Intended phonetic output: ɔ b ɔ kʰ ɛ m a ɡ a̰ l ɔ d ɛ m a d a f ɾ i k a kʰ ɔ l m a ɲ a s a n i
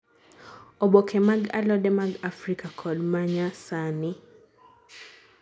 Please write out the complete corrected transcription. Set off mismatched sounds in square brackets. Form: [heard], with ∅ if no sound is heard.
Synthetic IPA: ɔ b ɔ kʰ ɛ m a ɡ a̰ l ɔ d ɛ m a [ɡ] a f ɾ i k a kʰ ɔ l m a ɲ a s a n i